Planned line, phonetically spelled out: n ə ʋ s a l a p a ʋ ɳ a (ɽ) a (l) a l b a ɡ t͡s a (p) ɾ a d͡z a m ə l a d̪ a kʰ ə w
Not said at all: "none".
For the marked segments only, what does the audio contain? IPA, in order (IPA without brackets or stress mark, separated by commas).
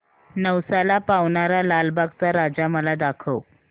ɾ, l, none